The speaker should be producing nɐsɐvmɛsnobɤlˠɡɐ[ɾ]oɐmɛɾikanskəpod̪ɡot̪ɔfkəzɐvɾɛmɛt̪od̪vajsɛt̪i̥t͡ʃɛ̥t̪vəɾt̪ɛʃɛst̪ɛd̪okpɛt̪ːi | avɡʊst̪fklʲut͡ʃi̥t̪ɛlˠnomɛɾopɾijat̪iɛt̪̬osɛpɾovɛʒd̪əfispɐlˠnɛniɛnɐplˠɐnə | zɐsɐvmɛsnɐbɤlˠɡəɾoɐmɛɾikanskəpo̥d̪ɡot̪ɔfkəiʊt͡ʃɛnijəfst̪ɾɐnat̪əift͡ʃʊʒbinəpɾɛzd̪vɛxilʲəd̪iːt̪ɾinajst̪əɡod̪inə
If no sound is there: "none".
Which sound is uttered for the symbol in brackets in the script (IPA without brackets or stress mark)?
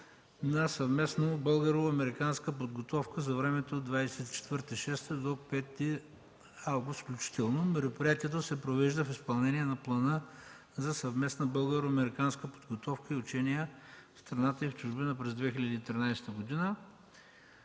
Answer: ɾ